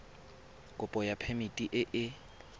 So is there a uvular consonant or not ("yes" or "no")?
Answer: no